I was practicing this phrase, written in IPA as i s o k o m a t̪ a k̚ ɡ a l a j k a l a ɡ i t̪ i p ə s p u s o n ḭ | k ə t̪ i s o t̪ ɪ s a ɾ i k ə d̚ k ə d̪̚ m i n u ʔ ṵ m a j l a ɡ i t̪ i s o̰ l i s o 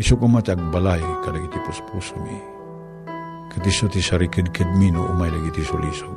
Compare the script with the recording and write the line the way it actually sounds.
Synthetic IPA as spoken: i s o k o m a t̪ a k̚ b a l a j k a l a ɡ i t̪ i p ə s p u s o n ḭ | k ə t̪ i s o t̪ i s a ɾ i k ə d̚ k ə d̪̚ m i n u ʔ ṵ m a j l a ɡ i t̪ i s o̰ l i s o